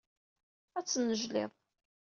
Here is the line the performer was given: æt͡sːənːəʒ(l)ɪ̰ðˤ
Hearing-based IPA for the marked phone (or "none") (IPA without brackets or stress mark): l